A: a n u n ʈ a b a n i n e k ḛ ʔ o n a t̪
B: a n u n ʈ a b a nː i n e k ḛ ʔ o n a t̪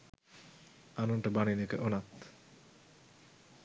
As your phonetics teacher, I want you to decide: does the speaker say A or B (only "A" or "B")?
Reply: A